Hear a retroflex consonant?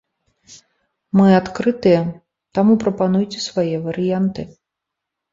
no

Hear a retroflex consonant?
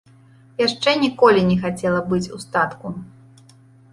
yes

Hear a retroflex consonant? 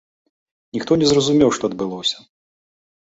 yes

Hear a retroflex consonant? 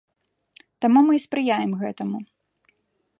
no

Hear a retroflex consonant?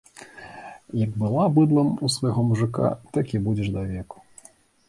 yes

